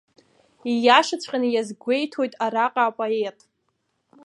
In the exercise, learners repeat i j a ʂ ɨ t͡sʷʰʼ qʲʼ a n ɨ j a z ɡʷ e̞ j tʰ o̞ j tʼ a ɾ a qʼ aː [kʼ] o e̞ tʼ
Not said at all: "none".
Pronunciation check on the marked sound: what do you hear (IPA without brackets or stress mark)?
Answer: pʼ